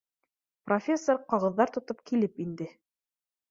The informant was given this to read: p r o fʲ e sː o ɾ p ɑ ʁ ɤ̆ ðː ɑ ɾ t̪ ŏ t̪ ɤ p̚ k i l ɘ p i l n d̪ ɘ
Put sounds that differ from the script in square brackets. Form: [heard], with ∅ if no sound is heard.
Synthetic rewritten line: p r o fʲ e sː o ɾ [q] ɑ ʁ ɤ̆ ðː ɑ ɾ t̪ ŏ t̪ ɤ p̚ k i l ɘ p i [∅] n d̪ ɘ